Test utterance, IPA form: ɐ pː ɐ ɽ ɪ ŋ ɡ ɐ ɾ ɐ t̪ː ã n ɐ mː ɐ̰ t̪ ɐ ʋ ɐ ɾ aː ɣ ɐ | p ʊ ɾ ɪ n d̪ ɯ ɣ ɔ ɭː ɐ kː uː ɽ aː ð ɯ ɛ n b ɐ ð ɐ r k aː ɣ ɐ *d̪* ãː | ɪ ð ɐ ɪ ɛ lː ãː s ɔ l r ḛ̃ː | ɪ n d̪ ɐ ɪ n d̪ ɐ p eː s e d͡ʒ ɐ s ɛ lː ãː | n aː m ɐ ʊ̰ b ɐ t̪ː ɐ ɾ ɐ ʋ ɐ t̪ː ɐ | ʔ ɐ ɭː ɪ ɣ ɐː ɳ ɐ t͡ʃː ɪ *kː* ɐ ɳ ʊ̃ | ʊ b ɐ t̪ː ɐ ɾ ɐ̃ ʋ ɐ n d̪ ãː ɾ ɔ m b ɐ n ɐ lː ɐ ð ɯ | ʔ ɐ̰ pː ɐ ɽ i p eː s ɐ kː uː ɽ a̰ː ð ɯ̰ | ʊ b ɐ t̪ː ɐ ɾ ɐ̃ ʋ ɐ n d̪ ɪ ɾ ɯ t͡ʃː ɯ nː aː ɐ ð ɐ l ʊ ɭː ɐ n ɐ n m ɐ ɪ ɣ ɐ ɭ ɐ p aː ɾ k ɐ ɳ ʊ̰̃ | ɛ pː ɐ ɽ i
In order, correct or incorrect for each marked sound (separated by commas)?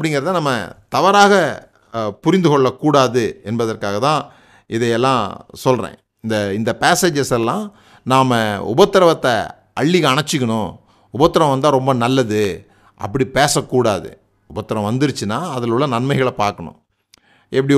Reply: incorrect, correct